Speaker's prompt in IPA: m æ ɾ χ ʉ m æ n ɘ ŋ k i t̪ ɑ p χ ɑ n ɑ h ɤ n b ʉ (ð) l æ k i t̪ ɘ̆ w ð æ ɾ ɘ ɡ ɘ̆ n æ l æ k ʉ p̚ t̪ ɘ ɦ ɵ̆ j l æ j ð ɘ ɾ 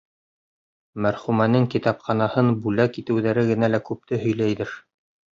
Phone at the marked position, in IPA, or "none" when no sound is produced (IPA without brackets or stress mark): none